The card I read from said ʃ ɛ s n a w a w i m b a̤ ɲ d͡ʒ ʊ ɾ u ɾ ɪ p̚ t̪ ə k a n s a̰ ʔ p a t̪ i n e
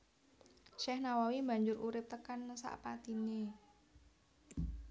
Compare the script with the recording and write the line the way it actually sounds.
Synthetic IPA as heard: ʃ ɛ h n a w a w i m b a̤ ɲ d͡ʒ ʊ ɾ u ɾ ɪ p̚ t̪ ə k a n s a̰ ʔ p a t̪ i n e